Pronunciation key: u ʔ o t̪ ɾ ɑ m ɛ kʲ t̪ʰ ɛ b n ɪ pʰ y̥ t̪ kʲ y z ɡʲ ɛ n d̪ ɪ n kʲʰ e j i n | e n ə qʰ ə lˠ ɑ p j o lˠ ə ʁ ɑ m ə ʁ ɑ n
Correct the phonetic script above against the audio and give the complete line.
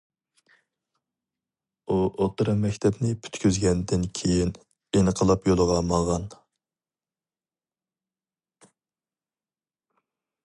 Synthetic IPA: u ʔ o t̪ ɾ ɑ m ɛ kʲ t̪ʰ ɛ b n ɪ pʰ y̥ t̪ kʲ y z ɡʲ ɛ n d̪ ɪ n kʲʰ e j i n | e n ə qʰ ə lˠ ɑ p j o lˠ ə ʁ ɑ m ɑ ʁ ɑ n